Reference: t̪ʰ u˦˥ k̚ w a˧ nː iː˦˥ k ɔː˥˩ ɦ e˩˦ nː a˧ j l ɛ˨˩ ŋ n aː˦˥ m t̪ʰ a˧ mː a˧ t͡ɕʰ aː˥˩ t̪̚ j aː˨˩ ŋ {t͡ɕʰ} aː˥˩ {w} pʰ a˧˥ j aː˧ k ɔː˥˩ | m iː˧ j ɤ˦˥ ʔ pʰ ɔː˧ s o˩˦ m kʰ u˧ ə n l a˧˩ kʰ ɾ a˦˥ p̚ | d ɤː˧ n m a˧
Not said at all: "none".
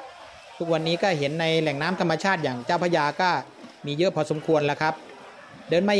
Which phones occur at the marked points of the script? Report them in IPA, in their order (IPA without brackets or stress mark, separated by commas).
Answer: t͡ɕ, w